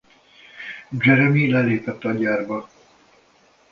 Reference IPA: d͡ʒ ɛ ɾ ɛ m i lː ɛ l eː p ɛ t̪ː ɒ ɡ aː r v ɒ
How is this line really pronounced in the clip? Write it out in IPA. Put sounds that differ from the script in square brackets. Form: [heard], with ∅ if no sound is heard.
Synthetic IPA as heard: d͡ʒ ɛ ɾ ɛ m i [l] ɛ l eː p ɛ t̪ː ɒ [ɟ] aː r [b] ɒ

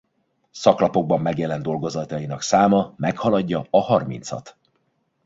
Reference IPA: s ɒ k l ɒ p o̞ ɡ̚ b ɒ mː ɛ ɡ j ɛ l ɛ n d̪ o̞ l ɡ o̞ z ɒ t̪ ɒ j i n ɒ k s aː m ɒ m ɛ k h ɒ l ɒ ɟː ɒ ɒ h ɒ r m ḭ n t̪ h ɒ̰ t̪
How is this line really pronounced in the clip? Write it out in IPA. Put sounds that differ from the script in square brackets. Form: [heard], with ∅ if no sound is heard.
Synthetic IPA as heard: s ɒ k l ɒ p o̞ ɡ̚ b ɒ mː ɛ ɡ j ɛ l ɛ n d̪ o̞ l ɡ o̞ z ɒ t̪ ɒ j i n ɒ k s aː m ɒ m ɛ k h ɒ l ɒ ɟː ɒ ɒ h ɒ r m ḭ n t̪ [s] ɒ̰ t̪

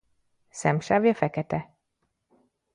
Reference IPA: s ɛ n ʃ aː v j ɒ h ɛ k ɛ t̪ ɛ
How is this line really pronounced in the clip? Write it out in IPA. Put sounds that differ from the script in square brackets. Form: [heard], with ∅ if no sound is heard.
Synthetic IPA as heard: s ɛ [m] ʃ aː v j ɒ [f] ɛ k ɛ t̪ ɛ

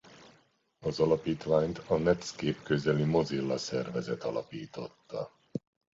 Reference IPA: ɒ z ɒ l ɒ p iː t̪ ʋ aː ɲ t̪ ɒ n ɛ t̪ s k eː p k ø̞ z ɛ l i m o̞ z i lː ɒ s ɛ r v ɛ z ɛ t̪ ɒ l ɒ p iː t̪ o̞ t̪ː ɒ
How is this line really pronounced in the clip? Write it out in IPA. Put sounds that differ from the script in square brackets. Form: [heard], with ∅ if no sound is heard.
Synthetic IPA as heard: ɒ z ɒ l ɒ p iː t̪ ʋ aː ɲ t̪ ɒ n ɛ t̪ s k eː p k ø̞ z ɛ l i m o̞ z i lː ɒ s ɛ r v ɛ z ɛ t̪ ɒ l ɒ p iː t̪ o̞ t̪ː ɒ

